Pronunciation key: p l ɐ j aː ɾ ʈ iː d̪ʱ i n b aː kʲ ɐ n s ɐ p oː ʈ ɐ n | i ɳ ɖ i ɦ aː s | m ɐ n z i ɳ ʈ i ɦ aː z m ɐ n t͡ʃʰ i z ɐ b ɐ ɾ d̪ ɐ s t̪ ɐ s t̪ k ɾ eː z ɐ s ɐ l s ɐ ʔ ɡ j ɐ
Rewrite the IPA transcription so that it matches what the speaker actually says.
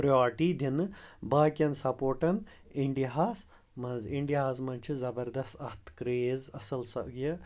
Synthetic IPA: p ɾ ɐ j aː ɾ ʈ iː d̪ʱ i n b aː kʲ ɐ n s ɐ p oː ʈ ɐ n | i ɳ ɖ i ɦ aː s | m ɐ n z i ɳ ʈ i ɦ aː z m ɐ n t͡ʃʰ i z ɐ b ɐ ɾ d̪ ɐ s t̪ ɐ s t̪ k ɾ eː z ɐ s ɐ l s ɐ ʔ ɡ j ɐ

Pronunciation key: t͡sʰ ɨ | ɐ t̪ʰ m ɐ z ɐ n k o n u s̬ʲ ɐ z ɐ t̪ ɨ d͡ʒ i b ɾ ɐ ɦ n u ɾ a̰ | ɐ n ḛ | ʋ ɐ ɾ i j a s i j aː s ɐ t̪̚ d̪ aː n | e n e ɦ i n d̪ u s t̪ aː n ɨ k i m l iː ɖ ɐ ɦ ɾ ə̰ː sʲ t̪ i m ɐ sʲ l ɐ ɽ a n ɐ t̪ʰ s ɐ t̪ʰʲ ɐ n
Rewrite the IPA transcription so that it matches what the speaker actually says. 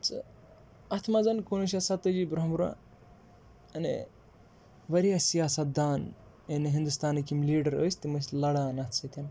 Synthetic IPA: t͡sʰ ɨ | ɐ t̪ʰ m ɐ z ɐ n k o n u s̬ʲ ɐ s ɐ t̪ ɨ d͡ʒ i b ɾ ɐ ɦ m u ɾ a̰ | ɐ n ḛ | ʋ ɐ ɾ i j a s i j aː s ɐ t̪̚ d̪ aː n | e n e ɦ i n d̪ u s t̪ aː n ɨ k i m l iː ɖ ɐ ɾ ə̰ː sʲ t̪ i m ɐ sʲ l ɐ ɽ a n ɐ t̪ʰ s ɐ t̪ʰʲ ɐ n

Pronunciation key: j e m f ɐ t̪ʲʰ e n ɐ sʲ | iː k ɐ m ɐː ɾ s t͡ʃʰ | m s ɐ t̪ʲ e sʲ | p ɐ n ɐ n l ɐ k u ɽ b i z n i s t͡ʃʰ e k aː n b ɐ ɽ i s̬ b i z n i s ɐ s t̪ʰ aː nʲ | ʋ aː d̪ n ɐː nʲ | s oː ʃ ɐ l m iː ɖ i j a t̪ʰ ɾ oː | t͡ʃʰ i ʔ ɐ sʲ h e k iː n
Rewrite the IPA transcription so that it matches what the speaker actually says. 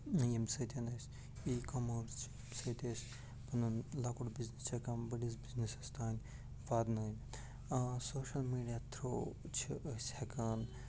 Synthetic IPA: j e m s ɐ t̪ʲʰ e n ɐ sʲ | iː k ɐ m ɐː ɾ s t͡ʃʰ | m s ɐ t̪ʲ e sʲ | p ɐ n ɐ n l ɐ k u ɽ b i z n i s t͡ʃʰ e k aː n b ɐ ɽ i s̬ b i z n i s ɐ s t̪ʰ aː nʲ | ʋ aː d̪ n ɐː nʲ | s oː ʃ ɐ l m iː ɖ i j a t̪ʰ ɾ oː | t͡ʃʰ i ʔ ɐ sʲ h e k aː n

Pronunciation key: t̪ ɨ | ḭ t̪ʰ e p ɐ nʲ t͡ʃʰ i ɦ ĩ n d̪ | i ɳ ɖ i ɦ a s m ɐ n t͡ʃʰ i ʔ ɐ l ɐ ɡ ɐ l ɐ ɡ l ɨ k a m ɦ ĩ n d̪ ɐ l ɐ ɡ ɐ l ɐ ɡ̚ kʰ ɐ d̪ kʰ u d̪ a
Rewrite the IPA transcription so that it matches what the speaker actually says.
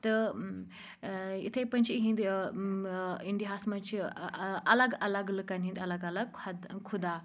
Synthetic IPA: t̪ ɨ | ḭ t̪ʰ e p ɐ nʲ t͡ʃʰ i ɦ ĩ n d̪ | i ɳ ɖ i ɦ a s m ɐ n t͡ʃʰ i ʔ ɐ l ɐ ɡ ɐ l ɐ ɡ l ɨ k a n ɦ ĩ n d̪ ɐ l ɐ ɡ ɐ l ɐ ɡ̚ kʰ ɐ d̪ kʰ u d̪ a

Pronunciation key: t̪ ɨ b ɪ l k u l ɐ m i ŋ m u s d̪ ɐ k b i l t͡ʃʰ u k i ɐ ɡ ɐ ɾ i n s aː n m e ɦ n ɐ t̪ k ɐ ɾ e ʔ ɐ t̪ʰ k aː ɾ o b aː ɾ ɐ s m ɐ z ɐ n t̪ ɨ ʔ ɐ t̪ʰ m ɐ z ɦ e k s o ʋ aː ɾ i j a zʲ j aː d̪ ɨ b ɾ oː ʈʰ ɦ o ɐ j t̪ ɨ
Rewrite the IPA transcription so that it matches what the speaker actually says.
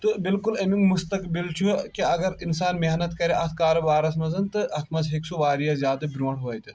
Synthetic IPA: t̪ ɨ b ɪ l k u l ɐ m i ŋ m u s t̪ ɐ k b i l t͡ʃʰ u k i ɐ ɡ ɐ ɾ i n s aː n m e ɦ n ɐ t̪ k ɐ ɾ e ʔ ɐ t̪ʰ k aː ɾ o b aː ɾ ɐ s m ɐ z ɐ n t̪ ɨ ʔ ɐ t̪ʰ m ɐ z ɦ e k s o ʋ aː ɾ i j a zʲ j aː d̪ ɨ b ɾ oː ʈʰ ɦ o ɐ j t̪ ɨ

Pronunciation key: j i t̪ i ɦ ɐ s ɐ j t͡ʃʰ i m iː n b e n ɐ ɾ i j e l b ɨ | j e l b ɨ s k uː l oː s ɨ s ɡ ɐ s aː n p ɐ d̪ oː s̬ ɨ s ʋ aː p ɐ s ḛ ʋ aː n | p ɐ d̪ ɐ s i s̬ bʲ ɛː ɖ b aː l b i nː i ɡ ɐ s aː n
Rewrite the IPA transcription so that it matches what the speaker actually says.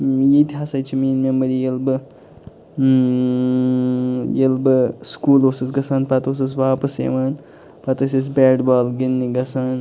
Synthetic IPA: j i t̪ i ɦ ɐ s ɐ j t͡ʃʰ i m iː n m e m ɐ ɾ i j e l b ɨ | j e l b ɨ s k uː l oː s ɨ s ɡ ɐ s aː n p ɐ t̪ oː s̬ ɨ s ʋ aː p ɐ s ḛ ʋ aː n | p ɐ t̪ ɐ s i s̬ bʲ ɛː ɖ b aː l ɡ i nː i ɡ ɐ s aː n

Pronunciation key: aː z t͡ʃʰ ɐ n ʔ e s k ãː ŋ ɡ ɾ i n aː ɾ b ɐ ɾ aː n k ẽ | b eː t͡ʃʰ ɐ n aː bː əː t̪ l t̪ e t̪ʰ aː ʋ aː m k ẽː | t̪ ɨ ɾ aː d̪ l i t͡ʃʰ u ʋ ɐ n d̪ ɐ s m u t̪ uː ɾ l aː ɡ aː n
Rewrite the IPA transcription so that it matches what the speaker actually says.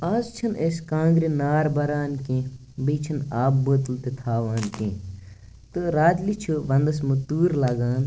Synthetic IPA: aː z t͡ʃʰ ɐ n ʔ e s k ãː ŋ ɡ ɾ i n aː ɾ b ɐ ɾ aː n k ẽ | b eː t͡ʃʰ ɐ n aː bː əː t̪ l t̪ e t̪ʰ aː ʋ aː n k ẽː | t̪ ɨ ɾ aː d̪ l i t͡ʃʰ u ʋ ɐ n d̪ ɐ s m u t̪ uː ɾ l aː ɡ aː n

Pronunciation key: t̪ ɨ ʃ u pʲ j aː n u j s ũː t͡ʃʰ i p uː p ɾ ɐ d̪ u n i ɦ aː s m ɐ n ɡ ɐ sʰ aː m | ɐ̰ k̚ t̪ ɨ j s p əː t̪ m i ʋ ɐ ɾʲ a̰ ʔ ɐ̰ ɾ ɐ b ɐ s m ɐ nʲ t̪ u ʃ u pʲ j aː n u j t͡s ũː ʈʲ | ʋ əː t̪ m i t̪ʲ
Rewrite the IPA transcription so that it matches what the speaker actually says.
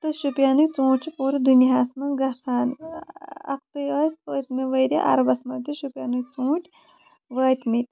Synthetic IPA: t̪ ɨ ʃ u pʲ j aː n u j t͡s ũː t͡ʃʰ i p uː ɾ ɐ d̪ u n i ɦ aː s m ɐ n ɡ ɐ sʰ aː n | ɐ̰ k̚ t̪ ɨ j s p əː t̪ m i ʋ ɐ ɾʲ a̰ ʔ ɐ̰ ɾ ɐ b ɐ s m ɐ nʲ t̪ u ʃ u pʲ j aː n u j t͡s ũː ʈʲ | ʋ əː t̪ m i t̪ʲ

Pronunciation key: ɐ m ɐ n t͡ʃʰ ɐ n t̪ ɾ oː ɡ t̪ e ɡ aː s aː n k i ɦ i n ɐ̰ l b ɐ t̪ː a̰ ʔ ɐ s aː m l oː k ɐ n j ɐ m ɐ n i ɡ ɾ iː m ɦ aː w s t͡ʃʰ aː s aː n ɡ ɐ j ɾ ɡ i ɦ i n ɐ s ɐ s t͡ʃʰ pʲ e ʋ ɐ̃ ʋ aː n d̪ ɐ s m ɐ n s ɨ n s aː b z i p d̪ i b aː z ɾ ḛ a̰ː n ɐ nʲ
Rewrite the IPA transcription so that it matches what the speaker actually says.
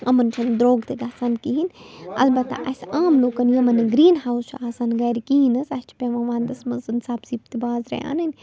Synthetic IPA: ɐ m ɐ n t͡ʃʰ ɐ n d̪ ɾ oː ɡ t̪ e ɡ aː s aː n k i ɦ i n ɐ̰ l b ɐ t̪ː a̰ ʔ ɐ s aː m l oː k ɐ n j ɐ m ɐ n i ɡ ɾ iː n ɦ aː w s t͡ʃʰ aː s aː n ɡ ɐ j ɾ k i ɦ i n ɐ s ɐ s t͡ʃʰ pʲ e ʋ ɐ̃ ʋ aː n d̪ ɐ s m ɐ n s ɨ n s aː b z i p t̪ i b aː z ɾ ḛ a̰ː n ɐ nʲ

